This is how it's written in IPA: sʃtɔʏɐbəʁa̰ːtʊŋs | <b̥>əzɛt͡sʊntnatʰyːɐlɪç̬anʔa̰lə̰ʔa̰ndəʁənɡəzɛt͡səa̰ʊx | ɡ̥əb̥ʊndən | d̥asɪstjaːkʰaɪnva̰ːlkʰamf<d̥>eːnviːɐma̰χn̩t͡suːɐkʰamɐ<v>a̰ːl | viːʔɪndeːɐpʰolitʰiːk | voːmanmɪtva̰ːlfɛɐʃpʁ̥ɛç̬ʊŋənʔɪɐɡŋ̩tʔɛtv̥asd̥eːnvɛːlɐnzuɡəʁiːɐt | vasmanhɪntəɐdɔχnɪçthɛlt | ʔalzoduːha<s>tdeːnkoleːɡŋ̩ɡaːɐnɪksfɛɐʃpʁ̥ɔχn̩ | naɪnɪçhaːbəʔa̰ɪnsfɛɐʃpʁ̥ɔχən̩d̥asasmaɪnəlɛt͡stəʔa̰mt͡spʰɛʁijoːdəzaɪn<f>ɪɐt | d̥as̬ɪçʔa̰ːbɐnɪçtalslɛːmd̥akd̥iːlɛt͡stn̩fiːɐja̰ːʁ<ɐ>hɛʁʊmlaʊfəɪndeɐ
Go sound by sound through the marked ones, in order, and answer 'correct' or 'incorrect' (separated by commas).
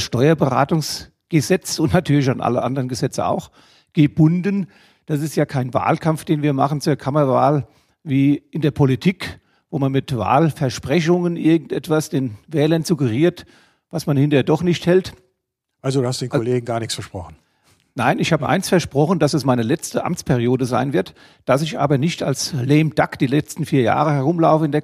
incorrect, correct, correct, correct, incorrect, incorrect